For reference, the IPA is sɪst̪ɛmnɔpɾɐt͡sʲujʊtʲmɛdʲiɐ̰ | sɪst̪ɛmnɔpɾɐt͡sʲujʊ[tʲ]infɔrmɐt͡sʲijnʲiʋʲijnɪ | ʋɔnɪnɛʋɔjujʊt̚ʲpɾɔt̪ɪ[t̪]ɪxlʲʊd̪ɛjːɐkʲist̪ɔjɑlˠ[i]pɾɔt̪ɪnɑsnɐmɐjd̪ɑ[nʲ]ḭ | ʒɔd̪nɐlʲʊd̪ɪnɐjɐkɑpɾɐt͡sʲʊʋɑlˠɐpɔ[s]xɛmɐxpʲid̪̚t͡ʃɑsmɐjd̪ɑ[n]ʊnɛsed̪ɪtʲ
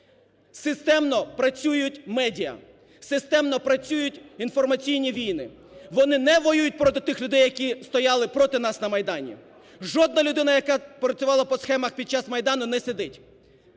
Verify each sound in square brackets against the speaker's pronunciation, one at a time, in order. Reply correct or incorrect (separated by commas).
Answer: correct, correct, incorrect, correct, correct, correct